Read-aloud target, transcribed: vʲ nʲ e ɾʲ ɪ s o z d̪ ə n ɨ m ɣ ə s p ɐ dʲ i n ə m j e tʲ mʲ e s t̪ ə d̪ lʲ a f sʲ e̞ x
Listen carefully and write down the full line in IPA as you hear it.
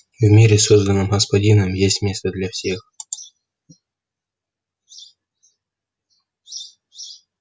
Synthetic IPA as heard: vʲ mʲ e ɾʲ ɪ s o z d̪ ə n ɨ m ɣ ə s p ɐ dʲ i n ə m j e sʲ mʲ e s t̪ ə d̪ lʲ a f sʲ e̞ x

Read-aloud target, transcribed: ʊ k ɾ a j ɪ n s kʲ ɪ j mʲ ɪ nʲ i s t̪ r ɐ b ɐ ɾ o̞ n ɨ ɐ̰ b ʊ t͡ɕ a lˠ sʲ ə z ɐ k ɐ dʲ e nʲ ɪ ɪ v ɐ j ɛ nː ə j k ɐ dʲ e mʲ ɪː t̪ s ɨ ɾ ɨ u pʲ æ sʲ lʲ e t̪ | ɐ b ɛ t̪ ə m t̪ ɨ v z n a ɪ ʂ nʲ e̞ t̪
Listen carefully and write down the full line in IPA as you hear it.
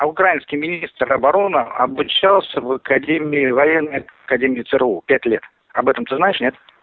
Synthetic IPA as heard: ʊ k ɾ a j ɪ n s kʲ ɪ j mʲ ɪ nʲ i s t̪ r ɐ b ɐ ɾ o̞ n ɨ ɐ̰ b ʊ t͡ɕ a lˠ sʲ ə v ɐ k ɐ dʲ e mʲ ɪ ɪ v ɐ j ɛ nː ə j k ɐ dʲ e mʲ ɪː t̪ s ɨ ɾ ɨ u pʲ æ tʲ lʲ e t̪ | ɐ b ɛ t̪ ə m t̪ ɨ z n a ɪ ʂ nʲ e̞ t̪

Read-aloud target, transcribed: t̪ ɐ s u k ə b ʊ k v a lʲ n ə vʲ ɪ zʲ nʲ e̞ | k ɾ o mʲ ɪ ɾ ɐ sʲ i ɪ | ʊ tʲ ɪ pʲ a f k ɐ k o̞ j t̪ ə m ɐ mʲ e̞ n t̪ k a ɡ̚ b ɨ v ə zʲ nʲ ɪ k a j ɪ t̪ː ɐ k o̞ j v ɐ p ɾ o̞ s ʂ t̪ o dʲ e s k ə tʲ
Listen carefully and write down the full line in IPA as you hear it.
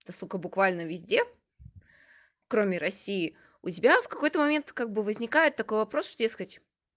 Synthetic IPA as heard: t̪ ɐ s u k ə b ʊ k v a lʲ n ə vʲ ɪ zʲ dʲ e̞ | k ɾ o mʲ ɪ ɾ ɐ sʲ i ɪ | ʊ tʲ ɪ bʲ a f k ɐ k o̞ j t̪ ə m ɐ mʲ e̞ n t̪ k a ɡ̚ b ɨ v ə zʲ nʲ ɪ k a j ɪ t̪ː ɐ k o̞ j v ɐ p ɾ o̞ s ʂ t̪ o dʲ e s k ə tʲ

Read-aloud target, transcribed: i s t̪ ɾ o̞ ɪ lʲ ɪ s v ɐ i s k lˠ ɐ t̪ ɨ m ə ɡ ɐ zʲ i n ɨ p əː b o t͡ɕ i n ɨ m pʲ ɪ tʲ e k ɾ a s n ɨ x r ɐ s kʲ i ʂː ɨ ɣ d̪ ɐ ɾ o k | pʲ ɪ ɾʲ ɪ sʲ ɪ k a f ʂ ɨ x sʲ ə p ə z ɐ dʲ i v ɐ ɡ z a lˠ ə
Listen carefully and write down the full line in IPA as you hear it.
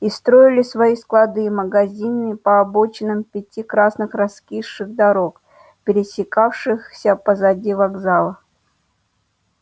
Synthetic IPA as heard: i s t̪ ɾ o̞ ɪ lʲ ɪ s v ɐ i s k lˠ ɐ d̪ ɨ m ə ɡ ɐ zʲ i n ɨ p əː b o t͡ɕ ɪ n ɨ m pʲ ɪ tʲ i k ɾ a s n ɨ x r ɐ s kʲ i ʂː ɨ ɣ d̪ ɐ ɾ o k | pʲ ɪ ɾʲ ɪ sʲ ɪ k a f ʂ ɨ x sʲ ə p ə z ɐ dʲ i v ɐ ɡ z a lˠ ə

